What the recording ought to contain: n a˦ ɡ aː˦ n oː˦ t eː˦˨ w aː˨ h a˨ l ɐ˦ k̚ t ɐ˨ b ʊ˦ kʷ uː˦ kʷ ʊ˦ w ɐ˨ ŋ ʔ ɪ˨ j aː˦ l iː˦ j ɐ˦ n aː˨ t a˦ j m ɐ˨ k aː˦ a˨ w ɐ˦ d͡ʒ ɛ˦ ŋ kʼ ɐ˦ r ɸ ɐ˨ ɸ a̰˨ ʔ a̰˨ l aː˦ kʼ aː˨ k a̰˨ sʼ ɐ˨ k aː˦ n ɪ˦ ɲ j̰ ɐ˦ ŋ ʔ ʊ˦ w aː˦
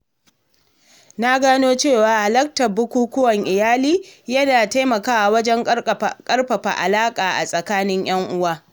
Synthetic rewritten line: n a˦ ɡ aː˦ n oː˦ t͡ʃ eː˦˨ w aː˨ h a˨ l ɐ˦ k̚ t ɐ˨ b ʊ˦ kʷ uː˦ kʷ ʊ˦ w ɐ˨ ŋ ʔ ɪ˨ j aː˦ l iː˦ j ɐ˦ n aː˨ t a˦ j m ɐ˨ k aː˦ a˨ w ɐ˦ d͡ʒ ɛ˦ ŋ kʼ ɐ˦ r ɸ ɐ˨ ɸ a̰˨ ʔ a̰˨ l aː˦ kʼ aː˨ ʔ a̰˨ sʼ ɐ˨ k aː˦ n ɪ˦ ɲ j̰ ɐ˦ ŋ ʔ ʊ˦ w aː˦

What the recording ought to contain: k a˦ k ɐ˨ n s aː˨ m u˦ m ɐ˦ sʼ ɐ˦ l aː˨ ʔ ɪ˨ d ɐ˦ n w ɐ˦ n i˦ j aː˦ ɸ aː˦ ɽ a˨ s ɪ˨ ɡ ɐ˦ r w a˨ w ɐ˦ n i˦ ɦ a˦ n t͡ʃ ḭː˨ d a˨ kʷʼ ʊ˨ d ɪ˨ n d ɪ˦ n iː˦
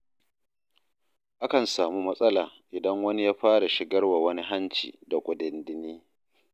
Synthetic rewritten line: ʔ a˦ k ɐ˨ n s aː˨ m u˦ m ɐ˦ sʼ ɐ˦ l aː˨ ʔ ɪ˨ d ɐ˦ ŋ w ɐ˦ n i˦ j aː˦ ɸ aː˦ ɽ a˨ ʃ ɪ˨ ɡ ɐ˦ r w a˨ w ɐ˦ n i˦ ɦ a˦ n t͡ʃ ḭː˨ d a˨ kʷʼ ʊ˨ d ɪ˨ n d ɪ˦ n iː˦

